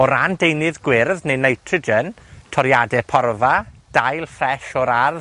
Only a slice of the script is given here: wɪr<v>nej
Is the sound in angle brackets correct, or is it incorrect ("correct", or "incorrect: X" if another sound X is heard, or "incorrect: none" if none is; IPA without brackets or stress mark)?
incorrect: ð